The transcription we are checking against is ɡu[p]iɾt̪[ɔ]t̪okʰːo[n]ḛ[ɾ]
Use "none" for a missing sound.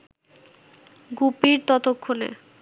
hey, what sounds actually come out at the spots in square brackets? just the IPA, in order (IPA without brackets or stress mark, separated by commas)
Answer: p, ɔ, n, none